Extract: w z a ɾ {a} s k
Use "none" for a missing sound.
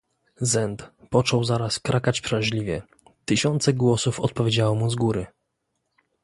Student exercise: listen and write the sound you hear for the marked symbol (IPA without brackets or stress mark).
a